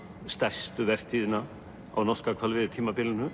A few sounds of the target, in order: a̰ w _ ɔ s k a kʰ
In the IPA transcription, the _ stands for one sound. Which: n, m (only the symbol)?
n